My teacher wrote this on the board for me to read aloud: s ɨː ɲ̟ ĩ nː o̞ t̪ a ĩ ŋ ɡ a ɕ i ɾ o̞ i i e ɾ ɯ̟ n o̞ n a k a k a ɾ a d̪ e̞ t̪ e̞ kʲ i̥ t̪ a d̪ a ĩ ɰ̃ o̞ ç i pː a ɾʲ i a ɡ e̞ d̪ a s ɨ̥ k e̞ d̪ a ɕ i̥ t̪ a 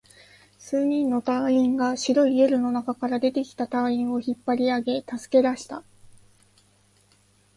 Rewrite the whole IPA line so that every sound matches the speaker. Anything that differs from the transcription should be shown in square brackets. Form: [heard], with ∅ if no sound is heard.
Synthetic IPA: s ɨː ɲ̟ ĩ nː o̞ t̪ a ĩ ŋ ɡ a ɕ i ɾ o̞ i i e ɾ ɯ̟ n o̞ n a k a k a ɾ a d̪ e̞ t̪ e̞ kʲ i̥ t̪ a [t̪] a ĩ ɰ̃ o̞ ç i pː a ɾʲ i a ɡ e̞ [t̪] a s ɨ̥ k e̞ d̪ a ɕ i̥ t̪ a